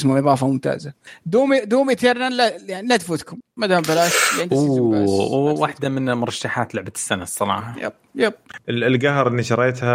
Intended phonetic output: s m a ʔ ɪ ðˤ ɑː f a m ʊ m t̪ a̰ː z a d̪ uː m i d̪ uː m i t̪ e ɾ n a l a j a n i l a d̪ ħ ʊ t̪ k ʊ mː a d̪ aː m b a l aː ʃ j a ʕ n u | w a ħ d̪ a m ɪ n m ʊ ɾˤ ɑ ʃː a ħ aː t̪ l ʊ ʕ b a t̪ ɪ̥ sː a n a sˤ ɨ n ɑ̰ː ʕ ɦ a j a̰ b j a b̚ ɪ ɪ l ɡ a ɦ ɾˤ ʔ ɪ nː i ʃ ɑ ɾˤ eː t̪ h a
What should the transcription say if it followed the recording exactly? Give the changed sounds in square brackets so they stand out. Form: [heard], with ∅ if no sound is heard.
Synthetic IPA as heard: s m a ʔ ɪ ðˤ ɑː f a m ʊ m t̪ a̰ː z a d̪ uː m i d̪ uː m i t̪ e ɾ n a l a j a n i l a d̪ [f] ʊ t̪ k ʊ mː a d̪ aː m b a l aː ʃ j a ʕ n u | w a ħ d̪ a m ɪ n m ʊ ɾˤ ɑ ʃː a ħ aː t̪ l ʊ ʕ b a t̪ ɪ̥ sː a n a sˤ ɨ n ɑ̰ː ʕ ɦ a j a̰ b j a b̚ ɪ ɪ l ɡ a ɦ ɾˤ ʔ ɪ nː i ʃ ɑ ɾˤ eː t̪ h a